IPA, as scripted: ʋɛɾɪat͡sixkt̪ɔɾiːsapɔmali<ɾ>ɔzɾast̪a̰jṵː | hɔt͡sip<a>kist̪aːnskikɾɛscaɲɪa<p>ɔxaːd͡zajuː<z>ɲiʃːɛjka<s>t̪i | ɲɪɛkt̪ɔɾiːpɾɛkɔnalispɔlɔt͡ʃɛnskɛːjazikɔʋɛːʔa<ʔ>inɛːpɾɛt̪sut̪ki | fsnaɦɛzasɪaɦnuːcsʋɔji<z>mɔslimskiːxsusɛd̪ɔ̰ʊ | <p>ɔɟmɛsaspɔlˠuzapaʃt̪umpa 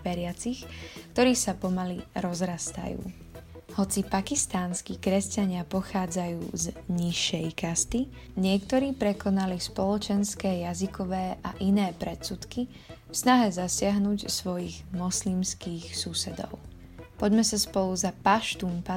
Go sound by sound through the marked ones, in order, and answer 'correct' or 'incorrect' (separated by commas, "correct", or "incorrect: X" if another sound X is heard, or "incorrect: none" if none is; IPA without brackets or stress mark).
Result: correct, correct, correct, correct, correct, correct, incorrect: ɣ, correct